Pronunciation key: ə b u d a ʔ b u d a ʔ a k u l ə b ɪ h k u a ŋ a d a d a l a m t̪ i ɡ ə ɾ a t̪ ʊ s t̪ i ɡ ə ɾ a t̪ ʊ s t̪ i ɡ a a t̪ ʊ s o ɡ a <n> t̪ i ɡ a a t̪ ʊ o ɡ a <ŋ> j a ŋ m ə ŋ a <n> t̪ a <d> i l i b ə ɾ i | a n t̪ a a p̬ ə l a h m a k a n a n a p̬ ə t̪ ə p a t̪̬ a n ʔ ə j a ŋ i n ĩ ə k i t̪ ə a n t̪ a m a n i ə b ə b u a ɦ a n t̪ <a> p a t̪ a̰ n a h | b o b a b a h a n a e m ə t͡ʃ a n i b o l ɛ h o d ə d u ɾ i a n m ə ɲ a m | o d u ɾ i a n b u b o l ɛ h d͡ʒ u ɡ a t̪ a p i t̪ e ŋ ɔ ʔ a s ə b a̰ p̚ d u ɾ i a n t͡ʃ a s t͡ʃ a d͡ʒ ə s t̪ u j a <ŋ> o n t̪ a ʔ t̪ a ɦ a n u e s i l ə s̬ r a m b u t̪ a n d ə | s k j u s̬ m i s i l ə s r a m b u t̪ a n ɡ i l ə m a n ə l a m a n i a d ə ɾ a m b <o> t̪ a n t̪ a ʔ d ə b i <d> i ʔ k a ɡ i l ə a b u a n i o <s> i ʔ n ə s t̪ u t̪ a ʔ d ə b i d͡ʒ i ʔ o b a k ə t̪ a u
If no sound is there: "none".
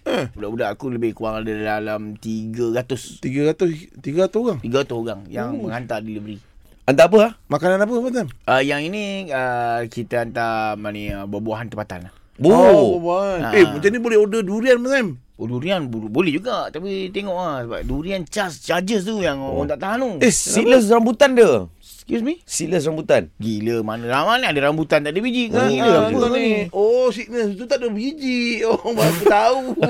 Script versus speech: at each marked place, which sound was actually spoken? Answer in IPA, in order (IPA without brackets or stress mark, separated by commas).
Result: ŋ, ŋ, n, d, ə, ŋ, u, d͡ʒ, s